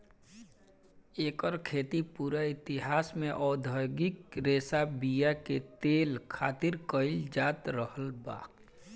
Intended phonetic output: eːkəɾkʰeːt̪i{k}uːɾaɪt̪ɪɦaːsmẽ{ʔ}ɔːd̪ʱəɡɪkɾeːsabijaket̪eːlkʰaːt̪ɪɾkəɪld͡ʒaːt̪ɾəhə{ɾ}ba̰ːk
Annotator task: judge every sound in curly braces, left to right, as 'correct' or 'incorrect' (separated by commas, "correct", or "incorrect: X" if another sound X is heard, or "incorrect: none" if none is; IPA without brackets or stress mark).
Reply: incorrect: p, correct, incorrect: l